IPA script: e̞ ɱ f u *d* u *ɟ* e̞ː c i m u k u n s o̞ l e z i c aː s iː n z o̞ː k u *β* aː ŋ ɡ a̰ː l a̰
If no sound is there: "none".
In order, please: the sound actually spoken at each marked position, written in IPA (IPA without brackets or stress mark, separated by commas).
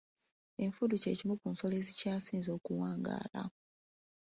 d, c, w